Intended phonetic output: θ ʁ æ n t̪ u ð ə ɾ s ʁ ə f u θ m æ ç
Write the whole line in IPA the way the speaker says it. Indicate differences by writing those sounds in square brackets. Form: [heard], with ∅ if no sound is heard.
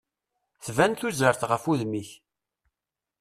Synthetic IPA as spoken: θ [v] æ n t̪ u [z] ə ɾ [θ] ʁ ə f u [ð] m [i] ç